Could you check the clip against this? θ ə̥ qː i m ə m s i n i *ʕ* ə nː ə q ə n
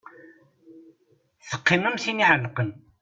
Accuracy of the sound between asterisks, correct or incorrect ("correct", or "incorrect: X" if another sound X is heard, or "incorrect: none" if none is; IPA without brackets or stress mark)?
correct